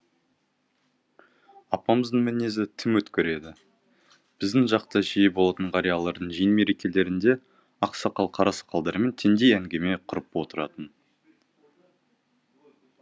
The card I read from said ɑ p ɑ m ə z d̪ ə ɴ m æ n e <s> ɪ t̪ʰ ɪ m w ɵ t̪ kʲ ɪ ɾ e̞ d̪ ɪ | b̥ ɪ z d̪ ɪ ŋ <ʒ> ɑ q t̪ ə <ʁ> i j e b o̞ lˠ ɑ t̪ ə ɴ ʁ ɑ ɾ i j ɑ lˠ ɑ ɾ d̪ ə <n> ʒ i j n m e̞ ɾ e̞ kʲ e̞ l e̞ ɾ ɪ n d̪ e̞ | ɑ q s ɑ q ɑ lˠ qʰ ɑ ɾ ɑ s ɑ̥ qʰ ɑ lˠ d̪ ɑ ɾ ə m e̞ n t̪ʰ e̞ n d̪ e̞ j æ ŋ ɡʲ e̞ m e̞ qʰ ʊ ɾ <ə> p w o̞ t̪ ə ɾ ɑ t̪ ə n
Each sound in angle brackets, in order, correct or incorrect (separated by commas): incorrect, correct, incorrect, incorrect, correct